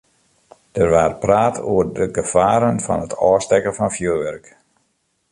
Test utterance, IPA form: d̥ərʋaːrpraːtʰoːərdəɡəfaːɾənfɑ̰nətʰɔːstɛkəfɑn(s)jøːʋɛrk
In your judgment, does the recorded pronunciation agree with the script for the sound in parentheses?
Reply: no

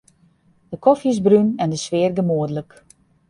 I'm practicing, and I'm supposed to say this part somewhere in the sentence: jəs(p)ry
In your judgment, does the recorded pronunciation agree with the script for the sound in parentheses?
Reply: no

